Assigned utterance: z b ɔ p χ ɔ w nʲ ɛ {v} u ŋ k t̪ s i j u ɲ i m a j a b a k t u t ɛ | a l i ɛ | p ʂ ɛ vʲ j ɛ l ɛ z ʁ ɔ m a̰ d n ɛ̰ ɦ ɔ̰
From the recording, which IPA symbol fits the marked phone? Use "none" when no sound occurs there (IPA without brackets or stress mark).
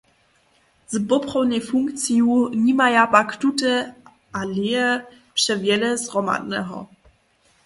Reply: f